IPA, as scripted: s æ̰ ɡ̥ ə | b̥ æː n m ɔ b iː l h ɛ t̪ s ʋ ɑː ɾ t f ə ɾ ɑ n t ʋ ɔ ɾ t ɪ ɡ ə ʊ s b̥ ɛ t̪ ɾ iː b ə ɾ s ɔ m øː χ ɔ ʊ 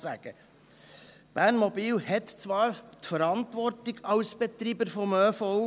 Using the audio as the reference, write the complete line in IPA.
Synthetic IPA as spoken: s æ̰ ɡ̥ ə | b̥ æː n m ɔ b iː l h ɛ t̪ t͡s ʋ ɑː ɾ t f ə ɾ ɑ n t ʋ ɔ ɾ t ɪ ɡ ɑ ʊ s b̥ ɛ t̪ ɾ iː b ə ɾ f ɔ m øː f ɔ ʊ